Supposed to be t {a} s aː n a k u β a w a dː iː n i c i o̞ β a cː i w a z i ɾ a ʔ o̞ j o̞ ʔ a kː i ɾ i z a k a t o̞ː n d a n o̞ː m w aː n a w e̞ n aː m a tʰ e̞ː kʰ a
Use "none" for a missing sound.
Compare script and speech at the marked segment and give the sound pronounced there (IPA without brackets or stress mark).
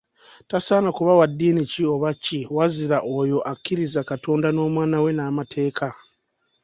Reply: a